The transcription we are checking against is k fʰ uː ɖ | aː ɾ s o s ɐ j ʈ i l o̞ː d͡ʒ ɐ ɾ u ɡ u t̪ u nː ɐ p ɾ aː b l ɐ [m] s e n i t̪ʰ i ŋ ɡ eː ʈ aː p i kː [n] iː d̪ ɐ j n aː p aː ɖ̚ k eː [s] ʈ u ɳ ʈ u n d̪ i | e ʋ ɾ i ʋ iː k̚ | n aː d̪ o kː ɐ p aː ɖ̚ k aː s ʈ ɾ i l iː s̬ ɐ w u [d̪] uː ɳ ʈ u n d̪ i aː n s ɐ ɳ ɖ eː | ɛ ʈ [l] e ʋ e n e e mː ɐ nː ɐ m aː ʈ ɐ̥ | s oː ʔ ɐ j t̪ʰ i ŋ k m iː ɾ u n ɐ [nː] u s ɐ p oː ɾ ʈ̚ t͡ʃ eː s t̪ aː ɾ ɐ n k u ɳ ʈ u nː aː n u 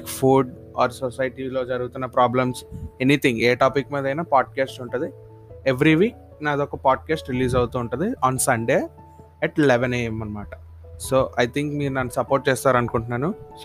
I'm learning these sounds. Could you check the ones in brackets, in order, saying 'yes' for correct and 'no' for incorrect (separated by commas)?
yes, no, yes, no, yes, yes